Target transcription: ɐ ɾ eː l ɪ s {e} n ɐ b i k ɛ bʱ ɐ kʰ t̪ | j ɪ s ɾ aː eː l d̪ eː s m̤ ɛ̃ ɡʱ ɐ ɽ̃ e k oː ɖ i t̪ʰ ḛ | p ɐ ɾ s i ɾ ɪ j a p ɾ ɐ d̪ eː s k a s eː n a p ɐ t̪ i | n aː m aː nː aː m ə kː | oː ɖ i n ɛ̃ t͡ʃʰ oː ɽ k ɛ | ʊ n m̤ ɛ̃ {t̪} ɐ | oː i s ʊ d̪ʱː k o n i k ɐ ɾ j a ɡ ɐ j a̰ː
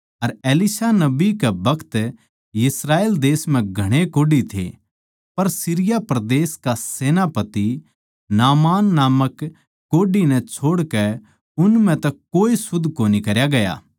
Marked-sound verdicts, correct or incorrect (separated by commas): incorrect, correct